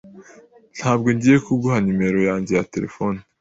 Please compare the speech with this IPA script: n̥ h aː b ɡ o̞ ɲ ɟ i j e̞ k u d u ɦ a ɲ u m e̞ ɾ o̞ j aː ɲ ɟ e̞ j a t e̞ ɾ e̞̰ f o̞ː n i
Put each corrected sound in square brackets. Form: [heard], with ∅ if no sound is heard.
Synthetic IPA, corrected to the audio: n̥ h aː b ɡ o̞ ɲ ɟ i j e̞ k u [ɡ] u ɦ a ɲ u m e̞ ɾ o̞ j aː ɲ ɟ e̞ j a t e̞ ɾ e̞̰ f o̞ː n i